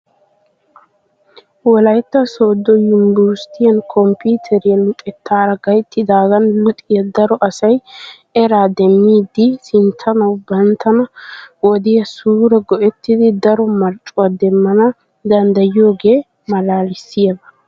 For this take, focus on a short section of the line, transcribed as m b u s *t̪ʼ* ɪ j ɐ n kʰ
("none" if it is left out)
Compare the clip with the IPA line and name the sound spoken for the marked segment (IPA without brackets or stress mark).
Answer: t̪